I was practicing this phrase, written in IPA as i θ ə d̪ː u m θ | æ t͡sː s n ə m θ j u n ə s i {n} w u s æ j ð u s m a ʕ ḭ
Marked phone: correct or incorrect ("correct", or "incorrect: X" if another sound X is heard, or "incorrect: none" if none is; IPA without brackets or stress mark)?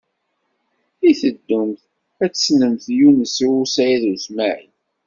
incorrect: none